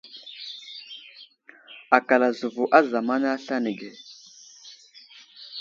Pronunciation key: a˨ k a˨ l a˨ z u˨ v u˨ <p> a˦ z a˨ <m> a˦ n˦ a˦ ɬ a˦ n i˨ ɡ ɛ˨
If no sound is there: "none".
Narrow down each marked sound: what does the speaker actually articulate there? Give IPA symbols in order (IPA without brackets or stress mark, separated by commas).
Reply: ʔ, m